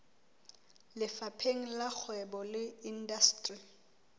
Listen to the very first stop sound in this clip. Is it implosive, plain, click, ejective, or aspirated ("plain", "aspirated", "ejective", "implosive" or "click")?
aspirated